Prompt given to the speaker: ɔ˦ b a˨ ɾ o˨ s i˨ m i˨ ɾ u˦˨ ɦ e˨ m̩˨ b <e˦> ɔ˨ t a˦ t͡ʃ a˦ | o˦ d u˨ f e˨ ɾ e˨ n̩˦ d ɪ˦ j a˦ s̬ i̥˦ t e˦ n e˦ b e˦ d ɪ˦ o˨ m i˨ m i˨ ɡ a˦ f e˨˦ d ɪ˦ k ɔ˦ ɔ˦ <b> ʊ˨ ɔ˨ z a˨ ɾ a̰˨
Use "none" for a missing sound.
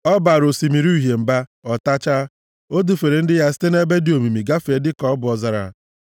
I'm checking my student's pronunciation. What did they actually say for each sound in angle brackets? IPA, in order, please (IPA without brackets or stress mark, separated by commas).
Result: a˦, b